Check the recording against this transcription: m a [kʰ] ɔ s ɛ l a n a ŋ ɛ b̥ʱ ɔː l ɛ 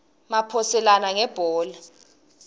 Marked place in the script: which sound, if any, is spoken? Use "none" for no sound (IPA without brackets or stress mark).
pʰ